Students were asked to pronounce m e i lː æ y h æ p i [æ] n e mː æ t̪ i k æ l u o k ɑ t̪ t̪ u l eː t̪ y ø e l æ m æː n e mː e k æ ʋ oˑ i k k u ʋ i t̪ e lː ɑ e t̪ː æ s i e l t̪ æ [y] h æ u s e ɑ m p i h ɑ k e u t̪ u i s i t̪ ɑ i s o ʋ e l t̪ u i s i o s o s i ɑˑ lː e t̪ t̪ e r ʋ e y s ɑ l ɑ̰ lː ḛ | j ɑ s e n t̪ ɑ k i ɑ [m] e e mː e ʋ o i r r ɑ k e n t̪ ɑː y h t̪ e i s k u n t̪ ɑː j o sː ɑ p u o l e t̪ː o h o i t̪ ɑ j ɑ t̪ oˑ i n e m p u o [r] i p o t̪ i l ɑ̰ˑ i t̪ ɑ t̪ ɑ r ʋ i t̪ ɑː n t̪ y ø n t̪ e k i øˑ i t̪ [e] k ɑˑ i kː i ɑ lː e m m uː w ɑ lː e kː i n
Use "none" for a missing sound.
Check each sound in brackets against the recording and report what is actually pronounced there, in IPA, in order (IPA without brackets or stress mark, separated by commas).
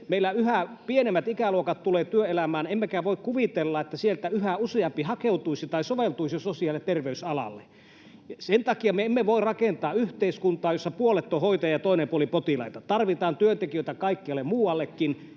e, y, m, l, æ